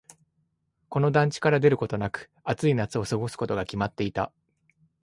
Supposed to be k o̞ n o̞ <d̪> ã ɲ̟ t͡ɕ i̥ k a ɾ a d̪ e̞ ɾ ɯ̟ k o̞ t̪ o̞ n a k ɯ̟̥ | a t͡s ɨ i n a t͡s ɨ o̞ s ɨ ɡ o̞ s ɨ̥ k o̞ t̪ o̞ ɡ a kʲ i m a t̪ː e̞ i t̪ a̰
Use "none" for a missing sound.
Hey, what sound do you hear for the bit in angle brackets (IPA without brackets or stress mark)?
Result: d̪